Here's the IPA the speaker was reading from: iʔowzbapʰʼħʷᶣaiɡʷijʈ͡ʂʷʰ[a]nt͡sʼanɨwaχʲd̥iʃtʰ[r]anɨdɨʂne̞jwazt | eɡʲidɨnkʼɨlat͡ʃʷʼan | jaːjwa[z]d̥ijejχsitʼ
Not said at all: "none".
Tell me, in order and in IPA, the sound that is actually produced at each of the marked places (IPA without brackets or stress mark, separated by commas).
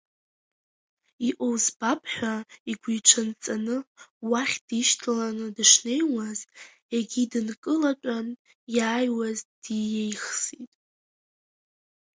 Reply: a, l, z